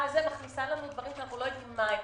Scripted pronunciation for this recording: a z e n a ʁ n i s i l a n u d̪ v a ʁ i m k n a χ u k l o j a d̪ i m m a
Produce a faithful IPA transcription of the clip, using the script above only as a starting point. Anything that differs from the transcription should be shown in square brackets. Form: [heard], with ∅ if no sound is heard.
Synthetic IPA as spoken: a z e [m] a [χ] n i s [a] l a n u d̪ v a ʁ i m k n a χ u [∅] l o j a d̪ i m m a